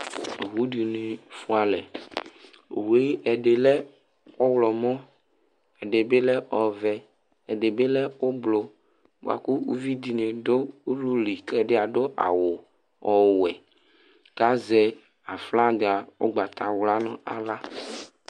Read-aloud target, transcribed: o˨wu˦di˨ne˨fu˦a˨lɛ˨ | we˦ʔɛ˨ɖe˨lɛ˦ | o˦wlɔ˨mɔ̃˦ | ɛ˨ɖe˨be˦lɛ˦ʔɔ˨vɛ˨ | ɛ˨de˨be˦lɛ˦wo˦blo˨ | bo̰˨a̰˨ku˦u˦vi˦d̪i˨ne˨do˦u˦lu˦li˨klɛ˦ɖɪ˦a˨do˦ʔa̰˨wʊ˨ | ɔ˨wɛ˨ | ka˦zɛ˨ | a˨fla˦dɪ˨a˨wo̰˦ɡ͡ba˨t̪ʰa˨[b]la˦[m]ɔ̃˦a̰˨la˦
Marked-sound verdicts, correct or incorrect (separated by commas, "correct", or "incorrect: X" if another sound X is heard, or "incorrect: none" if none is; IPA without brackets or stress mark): incorrect: w, incorrect: n